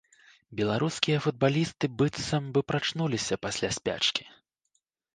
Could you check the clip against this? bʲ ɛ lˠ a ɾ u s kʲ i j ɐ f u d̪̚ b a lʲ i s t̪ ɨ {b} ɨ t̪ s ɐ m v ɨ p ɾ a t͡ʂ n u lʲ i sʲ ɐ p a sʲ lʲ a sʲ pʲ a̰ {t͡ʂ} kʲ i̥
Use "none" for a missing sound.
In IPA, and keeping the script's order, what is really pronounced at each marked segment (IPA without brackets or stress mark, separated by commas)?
b, t͡ʂ